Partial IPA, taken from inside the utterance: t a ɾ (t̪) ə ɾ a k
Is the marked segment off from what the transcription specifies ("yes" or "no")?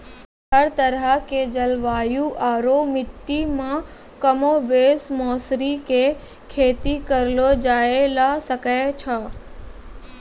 no